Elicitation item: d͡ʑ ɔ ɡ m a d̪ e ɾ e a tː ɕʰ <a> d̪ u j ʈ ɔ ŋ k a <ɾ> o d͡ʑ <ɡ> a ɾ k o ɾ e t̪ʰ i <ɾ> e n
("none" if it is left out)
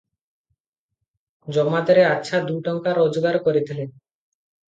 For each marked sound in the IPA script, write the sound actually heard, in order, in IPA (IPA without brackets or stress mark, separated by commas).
a, ɾ, ɡ, l